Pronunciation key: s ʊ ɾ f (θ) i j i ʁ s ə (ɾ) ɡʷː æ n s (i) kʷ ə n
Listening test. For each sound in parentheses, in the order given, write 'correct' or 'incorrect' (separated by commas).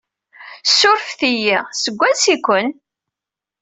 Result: correct, incorrect, correct